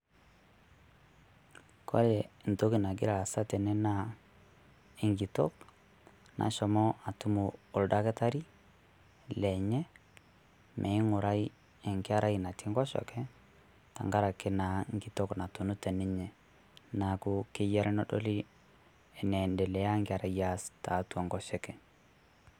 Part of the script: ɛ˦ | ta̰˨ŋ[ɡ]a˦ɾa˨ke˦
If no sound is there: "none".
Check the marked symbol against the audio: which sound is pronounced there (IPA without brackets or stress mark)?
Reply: ɡ